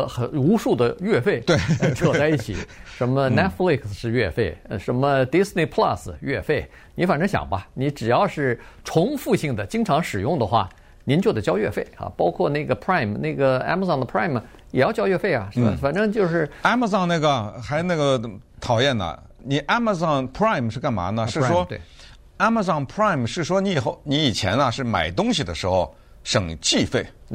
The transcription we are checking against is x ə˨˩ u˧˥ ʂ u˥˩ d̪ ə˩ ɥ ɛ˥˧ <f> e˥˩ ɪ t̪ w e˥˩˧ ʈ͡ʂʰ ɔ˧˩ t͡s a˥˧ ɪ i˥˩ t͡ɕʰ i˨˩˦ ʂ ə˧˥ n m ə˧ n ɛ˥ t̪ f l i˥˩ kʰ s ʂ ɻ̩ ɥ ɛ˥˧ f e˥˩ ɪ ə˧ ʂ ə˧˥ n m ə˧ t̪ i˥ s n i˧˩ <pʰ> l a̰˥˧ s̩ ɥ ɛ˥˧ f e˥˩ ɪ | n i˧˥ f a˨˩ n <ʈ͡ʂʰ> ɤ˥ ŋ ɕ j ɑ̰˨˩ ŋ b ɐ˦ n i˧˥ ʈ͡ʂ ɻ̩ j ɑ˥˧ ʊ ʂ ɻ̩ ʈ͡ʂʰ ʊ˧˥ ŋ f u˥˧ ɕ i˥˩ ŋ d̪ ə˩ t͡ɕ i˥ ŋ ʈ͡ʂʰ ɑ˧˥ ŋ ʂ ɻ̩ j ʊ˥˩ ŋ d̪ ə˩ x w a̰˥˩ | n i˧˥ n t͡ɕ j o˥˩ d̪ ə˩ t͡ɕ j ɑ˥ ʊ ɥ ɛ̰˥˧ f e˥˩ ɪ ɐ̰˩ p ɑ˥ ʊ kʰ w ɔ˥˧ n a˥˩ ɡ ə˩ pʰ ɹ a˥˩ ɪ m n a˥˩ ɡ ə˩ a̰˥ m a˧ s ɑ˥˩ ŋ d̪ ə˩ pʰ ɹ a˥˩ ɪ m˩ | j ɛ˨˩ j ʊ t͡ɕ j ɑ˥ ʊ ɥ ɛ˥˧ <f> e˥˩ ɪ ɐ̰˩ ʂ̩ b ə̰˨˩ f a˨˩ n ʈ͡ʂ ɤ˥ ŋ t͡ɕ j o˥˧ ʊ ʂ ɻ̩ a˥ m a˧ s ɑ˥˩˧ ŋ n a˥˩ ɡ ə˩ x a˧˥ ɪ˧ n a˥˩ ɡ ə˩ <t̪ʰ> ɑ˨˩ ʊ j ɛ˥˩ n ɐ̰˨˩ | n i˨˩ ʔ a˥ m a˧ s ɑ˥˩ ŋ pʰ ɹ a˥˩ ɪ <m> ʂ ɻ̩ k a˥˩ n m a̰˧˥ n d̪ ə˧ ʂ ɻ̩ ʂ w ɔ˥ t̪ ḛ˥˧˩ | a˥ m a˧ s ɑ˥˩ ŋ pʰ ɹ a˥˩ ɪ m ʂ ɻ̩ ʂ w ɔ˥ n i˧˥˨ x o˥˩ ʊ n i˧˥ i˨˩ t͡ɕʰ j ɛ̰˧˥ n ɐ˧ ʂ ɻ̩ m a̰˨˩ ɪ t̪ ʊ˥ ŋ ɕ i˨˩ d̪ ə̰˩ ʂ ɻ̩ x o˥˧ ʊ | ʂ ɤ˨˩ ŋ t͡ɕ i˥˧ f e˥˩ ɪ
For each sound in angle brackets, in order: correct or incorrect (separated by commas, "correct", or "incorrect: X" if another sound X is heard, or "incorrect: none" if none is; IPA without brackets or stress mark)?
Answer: correct, correct, incorrect: ʈ͡ʂ, correct, correct, correct